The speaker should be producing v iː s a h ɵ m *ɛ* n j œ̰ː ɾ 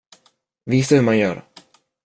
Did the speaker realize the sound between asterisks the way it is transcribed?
no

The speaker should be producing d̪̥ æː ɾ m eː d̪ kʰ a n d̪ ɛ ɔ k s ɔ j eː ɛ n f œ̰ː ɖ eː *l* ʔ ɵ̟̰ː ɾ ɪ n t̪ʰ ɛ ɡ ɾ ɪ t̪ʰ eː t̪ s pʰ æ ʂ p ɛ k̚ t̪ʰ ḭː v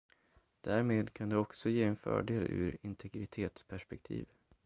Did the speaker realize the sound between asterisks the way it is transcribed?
yes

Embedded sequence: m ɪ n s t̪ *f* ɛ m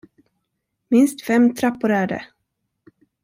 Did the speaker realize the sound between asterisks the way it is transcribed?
yes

